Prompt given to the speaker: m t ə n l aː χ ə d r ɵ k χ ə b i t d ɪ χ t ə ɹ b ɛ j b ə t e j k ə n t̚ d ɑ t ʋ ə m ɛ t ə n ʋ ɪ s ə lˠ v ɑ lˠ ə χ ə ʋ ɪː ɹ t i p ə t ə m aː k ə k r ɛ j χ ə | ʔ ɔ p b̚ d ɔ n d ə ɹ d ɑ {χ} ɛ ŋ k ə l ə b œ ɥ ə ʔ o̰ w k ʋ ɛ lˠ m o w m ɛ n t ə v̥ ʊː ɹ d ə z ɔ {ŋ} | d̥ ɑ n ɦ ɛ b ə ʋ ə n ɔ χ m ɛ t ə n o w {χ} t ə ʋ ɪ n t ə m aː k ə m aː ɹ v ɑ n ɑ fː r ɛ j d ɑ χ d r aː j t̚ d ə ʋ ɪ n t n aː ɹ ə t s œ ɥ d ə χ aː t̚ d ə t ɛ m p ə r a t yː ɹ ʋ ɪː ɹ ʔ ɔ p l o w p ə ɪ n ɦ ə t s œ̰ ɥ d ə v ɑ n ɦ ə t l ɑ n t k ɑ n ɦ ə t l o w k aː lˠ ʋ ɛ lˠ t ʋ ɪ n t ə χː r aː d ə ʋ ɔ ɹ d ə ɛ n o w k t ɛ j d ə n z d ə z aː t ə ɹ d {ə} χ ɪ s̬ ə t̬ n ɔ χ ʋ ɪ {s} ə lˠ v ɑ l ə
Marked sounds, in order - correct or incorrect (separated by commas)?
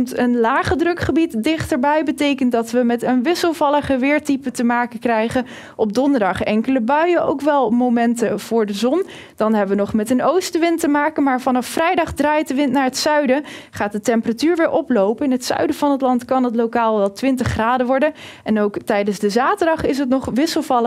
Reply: correct, incorrect, incorrect, incorrect, correct